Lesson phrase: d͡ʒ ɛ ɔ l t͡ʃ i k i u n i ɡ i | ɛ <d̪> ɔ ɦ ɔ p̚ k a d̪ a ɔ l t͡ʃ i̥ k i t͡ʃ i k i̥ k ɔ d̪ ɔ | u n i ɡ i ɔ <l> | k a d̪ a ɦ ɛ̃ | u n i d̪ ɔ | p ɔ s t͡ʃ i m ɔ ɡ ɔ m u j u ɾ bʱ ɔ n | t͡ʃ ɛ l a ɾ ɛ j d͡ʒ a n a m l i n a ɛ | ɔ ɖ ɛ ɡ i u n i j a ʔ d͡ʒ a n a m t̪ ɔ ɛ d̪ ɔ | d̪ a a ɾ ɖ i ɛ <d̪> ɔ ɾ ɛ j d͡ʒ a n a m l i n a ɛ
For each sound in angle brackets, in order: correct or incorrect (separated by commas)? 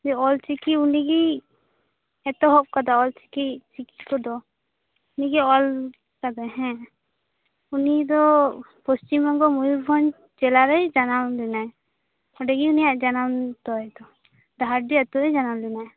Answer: incorrect, correct, incorrect